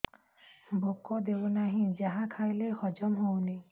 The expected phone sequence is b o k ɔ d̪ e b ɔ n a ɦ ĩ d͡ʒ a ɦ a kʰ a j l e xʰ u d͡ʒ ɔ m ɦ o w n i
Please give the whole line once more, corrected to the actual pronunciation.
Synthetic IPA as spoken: b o k ɔ d̪ e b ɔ n a ɦ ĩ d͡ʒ a ɦ a kʰ a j l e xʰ ɔ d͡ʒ ɔ m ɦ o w n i